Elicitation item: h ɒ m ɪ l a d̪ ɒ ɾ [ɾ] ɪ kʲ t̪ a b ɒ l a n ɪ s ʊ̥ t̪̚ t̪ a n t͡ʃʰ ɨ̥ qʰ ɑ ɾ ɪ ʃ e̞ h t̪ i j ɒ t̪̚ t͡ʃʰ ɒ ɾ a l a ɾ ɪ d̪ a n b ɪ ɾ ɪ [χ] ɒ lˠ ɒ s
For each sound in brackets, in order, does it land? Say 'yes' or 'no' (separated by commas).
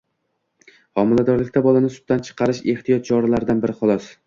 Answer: no, yes